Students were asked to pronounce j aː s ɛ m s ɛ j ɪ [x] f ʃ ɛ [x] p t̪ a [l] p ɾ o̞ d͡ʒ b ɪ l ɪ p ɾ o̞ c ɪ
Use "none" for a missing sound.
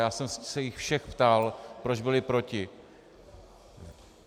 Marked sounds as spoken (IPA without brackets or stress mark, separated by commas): x, x, l